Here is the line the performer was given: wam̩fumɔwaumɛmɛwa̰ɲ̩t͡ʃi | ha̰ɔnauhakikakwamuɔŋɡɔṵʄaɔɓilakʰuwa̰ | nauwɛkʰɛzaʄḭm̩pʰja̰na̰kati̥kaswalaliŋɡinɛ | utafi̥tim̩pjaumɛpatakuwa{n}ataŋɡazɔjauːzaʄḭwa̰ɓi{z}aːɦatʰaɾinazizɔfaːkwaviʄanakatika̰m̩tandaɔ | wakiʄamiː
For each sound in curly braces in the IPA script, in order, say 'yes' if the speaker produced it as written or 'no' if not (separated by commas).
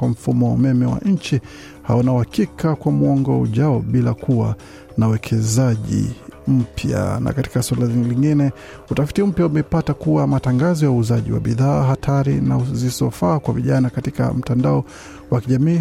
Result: no, no